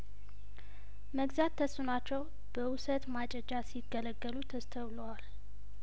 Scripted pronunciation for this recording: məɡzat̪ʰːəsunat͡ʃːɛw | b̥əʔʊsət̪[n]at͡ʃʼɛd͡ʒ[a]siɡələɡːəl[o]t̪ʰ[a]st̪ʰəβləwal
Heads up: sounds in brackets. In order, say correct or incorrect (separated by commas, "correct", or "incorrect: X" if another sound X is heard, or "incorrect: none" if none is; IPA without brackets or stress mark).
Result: incorrect: m, correct, incorrect: u, incorrect: ə